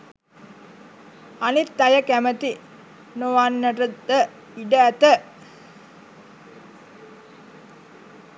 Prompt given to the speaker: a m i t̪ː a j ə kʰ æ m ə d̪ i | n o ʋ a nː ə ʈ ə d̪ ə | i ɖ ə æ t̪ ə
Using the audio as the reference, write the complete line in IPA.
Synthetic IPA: a n i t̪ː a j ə k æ m ə t̪ i | n o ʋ a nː ə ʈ ə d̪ ə | i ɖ ə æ t̪ ə

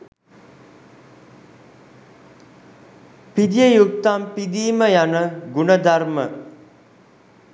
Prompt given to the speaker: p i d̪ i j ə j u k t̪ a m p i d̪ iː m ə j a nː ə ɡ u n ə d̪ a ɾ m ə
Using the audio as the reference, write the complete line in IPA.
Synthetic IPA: p i d̪ i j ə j u k t̪ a m p i d̪ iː m ə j a n ə ɡ u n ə d̪ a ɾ m ə

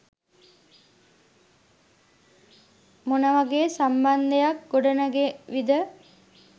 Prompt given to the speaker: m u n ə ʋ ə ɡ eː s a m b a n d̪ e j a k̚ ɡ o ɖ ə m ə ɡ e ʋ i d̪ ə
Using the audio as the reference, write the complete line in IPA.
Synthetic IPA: m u n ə ʋ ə ɡ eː s a m b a n d̪ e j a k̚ ɡ o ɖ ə n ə ɡ e ʋ i d̪ ə

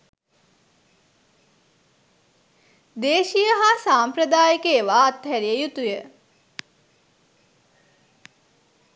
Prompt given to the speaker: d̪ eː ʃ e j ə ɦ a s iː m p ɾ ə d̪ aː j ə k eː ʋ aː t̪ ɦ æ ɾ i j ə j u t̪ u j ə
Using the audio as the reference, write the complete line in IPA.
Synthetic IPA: d̪ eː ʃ i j ə ɦ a s aː m p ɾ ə d̪ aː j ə k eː ʋ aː t̪ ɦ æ ɾ i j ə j u t̪ u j ə

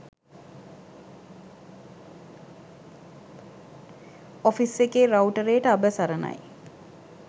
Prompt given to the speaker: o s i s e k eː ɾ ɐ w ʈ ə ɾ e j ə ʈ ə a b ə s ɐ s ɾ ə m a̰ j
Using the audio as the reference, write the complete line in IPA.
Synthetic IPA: o f i s e k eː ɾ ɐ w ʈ ə ɾ e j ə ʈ ə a b ə s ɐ ɾ ə n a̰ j

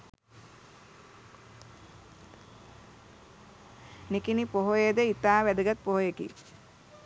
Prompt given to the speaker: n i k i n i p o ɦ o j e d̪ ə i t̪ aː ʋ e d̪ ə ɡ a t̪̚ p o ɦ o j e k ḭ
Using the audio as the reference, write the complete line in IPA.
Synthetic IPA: n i k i n i p o ɦ o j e d̪ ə i t̪ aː ʋ æ d̪ ə ɡ a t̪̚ p o ɦ o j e k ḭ

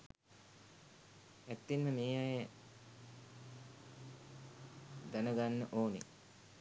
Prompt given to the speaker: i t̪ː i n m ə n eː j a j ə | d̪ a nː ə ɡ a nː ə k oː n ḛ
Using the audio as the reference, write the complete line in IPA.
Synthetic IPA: æ t̪ː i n m ə m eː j a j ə | d̪ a n ə ɡ a nː ə ʔ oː n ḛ

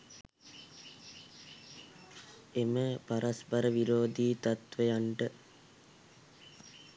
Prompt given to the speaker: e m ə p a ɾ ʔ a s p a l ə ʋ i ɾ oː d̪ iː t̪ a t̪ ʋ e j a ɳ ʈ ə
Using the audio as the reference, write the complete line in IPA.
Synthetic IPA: e m ə p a ɾ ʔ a s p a ɾ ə ʋ i ɾ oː d̪ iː t̪ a t̪ ʋ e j a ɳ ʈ ə

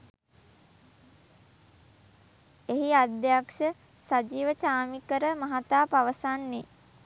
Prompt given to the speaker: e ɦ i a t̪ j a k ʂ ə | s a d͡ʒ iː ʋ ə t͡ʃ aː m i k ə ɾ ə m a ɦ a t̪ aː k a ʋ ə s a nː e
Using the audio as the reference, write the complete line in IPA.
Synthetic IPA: e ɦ i a d̪ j a k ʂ ə | s a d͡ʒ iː ʋ ə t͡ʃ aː m i k ə ɾ ə m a ɦ a t̪ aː p a ʋ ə s a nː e

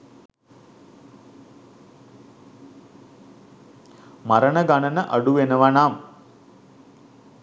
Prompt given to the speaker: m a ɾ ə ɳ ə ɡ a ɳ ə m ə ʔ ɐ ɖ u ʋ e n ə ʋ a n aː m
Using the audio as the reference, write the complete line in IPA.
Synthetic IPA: m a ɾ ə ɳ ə ɡ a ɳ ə n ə ʔ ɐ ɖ u ʋ e n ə ʋ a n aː m

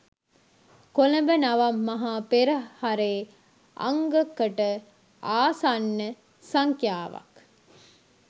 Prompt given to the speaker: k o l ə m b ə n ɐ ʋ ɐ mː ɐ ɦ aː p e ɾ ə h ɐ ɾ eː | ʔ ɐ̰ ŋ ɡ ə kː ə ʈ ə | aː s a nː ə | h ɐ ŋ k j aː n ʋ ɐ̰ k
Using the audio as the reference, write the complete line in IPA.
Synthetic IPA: k o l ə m b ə n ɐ ʋ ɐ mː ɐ ɦ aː p e ɾ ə h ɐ ɾ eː | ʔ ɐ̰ ŋ ɡ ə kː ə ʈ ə | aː s a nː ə | s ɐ ŋ k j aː ʋ ɐ̰ k

